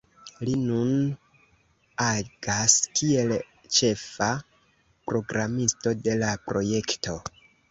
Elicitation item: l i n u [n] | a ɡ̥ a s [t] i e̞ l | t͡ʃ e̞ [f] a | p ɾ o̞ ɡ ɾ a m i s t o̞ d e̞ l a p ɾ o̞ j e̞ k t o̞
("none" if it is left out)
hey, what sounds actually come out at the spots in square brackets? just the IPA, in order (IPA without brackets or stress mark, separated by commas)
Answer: n, k, f